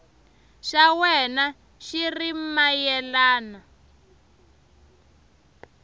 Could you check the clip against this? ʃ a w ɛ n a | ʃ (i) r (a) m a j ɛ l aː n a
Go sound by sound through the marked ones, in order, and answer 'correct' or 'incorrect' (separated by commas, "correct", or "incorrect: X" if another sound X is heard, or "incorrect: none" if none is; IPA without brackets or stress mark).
correct, incorrect: i